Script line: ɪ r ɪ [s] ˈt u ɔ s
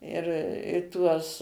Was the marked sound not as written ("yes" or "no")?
yes